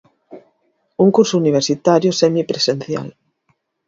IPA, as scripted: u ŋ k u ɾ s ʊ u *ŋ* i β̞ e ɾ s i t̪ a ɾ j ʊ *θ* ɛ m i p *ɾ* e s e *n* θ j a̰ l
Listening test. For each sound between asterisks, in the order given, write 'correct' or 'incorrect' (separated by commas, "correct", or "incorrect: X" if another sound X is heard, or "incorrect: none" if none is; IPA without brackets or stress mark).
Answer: incorrect: n, incorrect: s, correct, correct